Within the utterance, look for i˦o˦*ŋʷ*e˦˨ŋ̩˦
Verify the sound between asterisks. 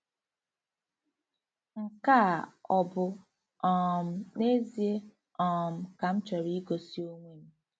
correct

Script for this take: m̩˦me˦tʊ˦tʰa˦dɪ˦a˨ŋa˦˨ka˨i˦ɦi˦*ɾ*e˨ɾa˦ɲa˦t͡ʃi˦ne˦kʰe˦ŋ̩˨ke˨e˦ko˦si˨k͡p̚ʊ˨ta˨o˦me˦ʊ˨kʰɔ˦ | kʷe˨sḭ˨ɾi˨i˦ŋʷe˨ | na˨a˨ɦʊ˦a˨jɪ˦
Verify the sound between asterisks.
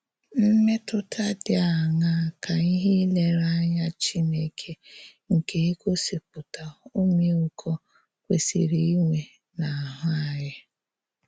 incorrect: l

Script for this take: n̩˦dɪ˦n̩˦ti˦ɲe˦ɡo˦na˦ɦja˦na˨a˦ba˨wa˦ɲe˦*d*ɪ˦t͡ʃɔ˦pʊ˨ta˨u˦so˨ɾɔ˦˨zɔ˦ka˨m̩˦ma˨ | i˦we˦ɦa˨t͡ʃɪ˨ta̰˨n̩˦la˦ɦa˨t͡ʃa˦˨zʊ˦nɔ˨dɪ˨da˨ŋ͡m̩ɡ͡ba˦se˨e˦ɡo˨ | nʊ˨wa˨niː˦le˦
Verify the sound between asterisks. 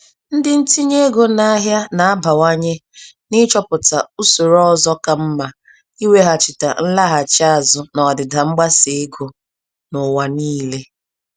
incorrect: n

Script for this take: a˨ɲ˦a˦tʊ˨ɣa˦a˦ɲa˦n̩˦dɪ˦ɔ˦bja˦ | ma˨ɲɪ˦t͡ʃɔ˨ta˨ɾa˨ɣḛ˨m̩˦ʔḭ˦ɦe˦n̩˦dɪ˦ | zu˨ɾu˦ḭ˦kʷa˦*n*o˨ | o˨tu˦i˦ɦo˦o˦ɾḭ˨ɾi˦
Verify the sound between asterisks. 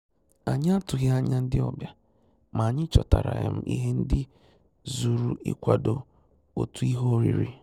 incorrect: d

